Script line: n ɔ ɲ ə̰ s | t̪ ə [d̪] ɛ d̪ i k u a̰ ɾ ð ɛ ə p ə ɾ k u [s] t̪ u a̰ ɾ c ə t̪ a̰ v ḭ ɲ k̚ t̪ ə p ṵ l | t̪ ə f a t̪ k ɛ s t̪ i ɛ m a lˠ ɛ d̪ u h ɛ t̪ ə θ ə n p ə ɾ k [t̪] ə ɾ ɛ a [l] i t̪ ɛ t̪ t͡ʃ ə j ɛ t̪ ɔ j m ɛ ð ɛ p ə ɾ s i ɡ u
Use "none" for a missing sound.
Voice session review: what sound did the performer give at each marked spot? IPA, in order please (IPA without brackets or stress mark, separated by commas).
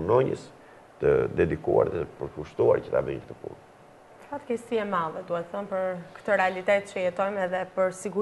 d̪, ʃ, t̪, l